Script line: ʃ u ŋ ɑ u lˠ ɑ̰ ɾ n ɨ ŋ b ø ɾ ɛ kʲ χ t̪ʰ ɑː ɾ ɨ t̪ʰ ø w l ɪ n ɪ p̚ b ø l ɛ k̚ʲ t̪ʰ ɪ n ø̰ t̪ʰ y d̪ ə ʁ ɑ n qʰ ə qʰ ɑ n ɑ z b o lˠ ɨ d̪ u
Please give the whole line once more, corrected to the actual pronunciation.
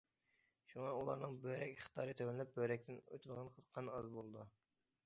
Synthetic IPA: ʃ u ŋ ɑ u lˠ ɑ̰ ɾ n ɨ ŋ b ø ɾ ɛ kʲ χ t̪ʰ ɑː ɾ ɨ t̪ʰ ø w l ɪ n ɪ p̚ b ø ɾ ɛ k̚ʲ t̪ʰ ɪ n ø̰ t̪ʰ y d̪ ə ʁ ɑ n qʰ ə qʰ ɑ n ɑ z b o lˠ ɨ d̪ u

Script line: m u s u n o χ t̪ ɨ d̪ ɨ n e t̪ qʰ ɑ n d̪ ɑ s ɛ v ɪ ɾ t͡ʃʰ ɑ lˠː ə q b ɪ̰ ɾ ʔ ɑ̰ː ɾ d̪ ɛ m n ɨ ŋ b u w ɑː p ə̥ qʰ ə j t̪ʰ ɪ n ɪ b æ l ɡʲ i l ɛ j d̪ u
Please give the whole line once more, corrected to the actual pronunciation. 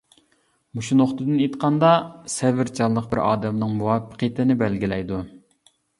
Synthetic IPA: m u ʃ u n o χ t̪ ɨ d̪ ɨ n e t̪ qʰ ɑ n d̪ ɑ s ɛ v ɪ ɾ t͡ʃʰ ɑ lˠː ə q b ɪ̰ ɾ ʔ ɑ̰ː d̪ ɛ m n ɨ ŋ m u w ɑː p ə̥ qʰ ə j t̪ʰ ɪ n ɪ b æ l ɡʲ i l ɛ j d̪ u

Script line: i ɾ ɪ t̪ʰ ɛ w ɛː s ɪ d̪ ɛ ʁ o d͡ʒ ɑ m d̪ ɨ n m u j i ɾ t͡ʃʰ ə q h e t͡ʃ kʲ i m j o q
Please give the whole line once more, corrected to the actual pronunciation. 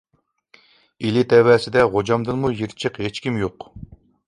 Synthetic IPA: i l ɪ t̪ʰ ɛ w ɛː s ɪ d̪ ɛ ʁ o d͡ʒ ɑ m d̪ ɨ n m u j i ɾ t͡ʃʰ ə q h e t͡ʃ kʲ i m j o q

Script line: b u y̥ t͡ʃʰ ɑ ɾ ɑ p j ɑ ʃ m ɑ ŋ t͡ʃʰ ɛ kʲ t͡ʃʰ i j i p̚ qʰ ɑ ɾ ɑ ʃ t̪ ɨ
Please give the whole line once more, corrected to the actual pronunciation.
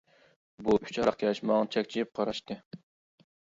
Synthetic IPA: b u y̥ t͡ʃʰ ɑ ɾ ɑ q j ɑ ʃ m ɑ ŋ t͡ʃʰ ɛ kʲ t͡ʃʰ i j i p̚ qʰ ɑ ɾ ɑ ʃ t̪ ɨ

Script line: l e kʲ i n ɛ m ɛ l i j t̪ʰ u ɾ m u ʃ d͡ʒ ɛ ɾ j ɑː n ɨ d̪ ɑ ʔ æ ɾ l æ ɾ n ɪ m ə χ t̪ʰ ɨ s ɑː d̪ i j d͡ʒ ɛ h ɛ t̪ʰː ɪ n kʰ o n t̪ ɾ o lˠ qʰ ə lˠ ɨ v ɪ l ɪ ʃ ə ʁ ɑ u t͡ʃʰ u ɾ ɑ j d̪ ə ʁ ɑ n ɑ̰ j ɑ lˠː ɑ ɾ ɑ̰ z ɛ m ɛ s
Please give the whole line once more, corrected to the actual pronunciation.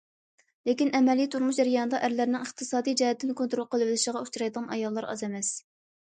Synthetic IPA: l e kʲ i n ɛ m ɛ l i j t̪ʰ u ɾ m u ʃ d͡ʒ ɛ ɾ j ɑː n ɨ d̪ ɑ ʔ æ ɾ l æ ɾ n ɪ ŋ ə χ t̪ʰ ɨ s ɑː d̪ i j d͡ʒ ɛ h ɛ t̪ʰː ɪ n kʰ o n t̪ ɾ o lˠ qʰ ə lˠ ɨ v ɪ l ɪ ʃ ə ʁ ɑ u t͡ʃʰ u ɾ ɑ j d̪ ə ʁ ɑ n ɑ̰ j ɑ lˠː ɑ ɾ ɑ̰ z ɛ m ɛ s

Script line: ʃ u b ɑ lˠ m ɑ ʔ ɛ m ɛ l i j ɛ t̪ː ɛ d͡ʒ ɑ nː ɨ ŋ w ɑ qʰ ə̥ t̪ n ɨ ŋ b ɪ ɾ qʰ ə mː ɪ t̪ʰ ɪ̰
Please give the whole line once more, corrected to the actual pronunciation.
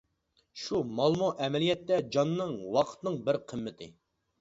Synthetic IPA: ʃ u m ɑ lˠ m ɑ ʔ ɛ m ɛ l i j ɛ t̪ː ɛ d͡ʒ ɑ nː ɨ ŋ w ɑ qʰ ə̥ t̪ n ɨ ŋ b ɪ ɾ qʰ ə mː ɪ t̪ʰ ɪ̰

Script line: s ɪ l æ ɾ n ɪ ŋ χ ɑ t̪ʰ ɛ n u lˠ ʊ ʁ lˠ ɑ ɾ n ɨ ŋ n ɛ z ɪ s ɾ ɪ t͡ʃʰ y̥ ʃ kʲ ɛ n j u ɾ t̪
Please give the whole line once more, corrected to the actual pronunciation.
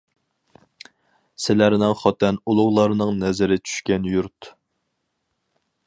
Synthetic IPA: s ɪ l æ ɾ n ɪ ŋ χ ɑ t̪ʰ ɛ n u lˠ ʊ ʁ lˠ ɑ ɾ n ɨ ŋ n ɛ z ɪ ɾ ɪ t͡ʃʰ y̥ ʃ kʲ ɛ n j u ɾ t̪

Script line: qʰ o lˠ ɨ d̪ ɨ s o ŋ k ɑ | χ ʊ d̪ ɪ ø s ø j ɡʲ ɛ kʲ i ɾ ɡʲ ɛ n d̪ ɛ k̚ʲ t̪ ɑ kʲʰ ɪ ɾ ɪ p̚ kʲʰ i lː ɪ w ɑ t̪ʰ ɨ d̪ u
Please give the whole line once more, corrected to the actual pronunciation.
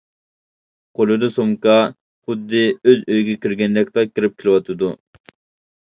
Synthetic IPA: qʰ o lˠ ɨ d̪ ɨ s o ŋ k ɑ | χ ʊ d̪ː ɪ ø z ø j ɡʲ ɛ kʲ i ɾ ɡʲ ɛ n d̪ ɛ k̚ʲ t̪ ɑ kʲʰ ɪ ɾ ɪ p̚ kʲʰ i l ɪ w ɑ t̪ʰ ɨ d̪ u

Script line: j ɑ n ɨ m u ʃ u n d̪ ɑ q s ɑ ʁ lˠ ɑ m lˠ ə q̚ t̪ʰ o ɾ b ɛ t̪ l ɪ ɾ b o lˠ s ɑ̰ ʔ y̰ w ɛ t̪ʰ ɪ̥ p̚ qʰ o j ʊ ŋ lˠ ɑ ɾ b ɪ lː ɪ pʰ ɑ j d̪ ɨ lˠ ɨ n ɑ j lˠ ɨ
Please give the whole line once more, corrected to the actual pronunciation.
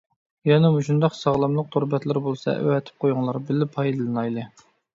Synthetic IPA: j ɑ n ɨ m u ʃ u n d̪ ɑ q s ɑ ʁ lˠ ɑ m lˠ ə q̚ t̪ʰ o ɾ b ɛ t̪ l ɪ ɾ b o lˠ s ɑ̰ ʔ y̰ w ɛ t̪ʰ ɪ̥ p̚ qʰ o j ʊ ŋ lˠ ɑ ɾ b ɪ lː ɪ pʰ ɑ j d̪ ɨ lˠ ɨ n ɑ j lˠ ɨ

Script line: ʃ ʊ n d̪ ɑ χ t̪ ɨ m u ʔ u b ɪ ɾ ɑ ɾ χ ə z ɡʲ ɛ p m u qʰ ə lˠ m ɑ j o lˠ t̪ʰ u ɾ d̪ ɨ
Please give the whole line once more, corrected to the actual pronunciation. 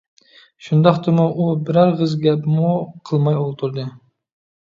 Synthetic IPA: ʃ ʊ n d̪ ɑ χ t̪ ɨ m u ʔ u b ɪ ɾ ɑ ɾ ʁ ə z ɡʲ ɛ p m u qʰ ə lˠ m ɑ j o lˠ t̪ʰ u ɾ d̪ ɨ

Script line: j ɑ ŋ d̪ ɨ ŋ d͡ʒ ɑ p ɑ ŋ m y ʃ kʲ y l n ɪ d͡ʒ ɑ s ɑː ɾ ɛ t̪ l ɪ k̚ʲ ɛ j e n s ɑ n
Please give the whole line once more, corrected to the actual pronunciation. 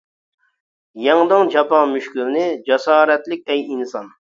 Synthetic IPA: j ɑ ŋ d̪ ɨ ŋ d͡ʒ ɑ p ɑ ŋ m y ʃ kʲ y l n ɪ d͡ʒ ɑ s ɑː ɾ ɛ t̪ l ɪ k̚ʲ ɛ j i n s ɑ n

